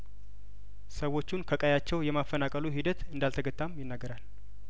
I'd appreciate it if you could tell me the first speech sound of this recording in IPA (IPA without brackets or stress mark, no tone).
s